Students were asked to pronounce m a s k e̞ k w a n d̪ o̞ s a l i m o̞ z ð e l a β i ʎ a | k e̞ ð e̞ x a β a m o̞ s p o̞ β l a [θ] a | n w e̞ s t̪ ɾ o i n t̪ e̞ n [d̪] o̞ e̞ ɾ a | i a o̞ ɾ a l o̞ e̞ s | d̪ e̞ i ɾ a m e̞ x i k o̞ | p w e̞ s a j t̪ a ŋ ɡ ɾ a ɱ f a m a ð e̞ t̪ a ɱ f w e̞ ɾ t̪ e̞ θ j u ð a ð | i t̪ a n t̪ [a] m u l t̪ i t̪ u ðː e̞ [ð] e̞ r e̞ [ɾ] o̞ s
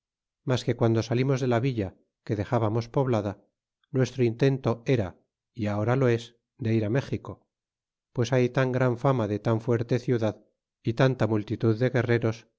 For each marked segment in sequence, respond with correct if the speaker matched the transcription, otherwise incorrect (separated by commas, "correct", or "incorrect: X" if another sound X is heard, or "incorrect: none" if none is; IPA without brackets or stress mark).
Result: incorrect: ð, incorrect: t̪, correct, incorrect: ɣ, correct